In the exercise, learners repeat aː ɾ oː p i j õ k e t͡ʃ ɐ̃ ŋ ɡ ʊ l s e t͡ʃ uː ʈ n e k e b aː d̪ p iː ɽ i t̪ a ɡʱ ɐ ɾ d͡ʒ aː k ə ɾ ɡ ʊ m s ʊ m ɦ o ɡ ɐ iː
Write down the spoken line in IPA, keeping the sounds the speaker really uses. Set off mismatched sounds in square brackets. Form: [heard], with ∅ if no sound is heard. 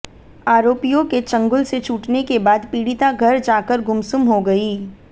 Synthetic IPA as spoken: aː ɾ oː p i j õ k e t͡ʃ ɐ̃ ŋ ɡ ʊ l s e t͡ʃ uː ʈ n e k e b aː d̪ p iː ɽ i t̪ a ɡʱ ɐ ɾ d͡ʒ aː k ə ɾ ɡ ʊ m s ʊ m ɦ o ɡ ɐ iː